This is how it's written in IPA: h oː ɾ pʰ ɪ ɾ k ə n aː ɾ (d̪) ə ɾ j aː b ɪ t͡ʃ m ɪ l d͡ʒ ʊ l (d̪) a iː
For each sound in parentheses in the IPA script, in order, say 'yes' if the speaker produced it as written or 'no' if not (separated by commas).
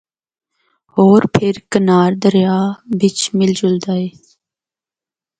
yes, yes